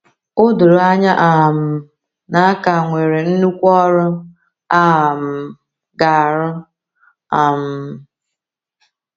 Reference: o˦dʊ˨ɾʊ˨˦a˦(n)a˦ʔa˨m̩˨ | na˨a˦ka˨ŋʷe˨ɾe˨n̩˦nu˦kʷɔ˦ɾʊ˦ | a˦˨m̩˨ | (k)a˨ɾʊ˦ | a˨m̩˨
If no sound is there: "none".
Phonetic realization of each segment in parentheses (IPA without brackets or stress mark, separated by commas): ɲ, ɡ